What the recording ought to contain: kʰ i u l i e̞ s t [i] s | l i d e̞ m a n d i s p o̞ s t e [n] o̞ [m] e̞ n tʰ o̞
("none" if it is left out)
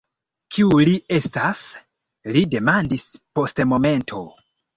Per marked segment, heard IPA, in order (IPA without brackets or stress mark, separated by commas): a, m, m